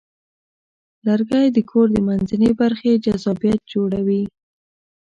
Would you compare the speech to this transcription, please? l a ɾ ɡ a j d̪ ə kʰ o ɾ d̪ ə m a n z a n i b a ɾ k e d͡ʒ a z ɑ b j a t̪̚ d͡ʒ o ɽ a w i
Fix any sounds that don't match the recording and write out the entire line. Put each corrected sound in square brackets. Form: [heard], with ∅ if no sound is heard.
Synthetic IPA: l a ɾ ɡ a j d̪ ə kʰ o ɾ d̪ ə m a n z a n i b a ɾ [x] e d͡ʒ a z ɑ b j a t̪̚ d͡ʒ o ɽ a w i